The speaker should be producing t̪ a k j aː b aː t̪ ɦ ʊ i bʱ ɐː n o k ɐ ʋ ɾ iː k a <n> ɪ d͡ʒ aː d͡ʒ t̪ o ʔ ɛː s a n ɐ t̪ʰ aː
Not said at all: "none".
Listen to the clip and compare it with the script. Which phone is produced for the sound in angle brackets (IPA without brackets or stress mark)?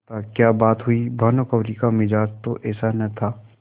m